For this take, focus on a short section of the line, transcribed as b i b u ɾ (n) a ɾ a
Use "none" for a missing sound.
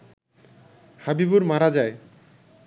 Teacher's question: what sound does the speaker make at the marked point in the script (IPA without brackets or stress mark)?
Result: m